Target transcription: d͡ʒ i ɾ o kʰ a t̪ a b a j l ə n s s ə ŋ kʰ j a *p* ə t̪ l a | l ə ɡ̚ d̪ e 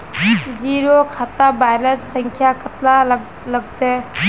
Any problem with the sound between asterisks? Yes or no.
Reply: yes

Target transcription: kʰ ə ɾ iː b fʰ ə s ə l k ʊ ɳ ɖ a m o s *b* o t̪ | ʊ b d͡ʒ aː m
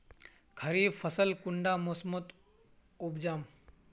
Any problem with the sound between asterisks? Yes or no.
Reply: yes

